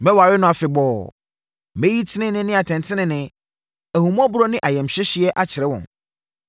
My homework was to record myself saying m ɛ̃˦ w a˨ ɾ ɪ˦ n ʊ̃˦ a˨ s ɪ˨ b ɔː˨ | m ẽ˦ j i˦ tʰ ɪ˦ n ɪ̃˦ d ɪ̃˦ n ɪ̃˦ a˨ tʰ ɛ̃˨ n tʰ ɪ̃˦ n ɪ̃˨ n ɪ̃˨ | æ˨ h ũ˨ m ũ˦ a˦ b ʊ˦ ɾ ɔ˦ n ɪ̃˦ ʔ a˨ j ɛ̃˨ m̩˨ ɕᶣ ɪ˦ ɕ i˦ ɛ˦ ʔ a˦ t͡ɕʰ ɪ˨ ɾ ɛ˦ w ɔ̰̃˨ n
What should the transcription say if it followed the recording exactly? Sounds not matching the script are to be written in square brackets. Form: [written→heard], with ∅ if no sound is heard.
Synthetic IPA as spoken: m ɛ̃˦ w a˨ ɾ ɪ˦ n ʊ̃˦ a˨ [s→f] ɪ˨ b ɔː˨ | m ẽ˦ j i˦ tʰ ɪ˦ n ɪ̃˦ [d→n] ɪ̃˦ n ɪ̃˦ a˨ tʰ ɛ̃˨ n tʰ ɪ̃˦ n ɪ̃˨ n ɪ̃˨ | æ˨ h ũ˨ m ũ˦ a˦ b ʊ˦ ɾ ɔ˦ n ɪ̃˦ ʔ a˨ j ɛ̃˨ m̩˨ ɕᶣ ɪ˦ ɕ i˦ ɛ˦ ʔ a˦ t͡ɕʰ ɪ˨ ɾ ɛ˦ w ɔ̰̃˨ n